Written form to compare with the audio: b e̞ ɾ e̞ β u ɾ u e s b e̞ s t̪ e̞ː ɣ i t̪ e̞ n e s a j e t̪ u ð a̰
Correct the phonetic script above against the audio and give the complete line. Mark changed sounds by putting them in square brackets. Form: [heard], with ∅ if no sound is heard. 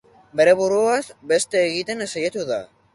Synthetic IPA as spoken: b e̞ ɾ e̞ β u ɾ u [a] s b e̞ s t̪ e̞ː ɣ i t̪ e̞ n e s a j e t̪ u ð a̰